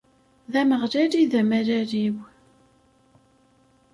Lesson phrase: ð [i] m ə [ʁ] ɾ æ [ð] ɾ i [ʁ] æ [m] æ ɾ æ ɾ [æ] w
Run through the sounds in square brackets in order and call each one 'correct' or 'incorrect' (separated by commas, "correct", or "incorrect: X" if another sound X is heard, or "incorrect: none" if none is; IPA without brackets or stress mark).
incorrect: æ, correct, incorrect: none, incorrect: ð, correct, incorrect: i